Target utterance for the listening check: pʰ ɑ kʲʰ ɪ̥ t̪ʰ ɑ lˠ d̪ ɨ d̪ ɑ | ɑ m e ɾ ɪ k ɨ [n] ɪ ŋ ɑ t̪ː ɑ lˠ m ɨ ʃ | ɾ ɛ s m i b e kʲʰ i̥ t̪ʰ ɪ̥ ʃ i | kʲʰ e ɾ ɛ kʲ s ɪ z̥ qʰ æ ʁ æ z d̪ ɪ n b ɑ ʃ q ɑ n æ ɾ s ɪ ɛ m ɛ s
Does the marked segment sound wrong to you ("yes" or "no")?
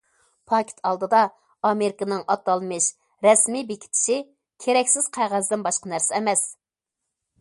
no